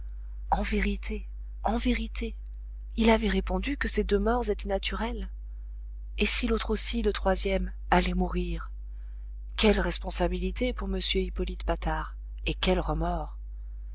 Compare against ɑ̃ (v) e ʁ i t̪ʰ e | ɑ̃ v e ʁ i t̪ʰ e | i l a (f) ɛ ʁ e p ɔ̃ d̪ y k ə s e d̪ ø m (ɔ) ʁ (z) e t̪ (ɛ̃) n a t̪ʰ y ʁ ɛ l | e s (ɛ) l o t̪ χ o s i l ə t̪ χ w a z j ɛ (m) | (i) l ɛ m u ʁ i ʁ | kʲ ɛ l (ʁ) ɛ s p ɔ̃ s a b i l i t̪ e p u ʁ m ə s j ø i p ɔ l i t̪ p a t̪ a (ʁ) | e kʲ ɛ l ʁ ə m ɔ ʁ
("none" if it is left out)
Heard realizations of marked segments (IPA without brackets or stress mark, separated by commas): v, v, ɔ, z, ɛ, i, m, a, ʁ, ʁ